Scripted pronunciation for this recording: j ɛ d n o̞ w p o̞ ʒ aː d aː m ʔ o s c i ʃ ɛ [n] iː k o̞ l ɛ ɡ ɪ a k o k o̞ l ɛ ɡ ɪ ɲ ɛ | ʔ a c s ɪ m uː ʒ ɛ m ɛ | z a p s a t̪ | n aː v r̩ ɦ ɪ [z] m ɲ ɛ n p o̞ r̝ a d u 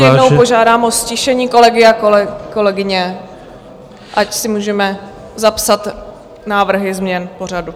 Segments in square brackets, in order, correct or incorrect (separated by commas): incorrect, correct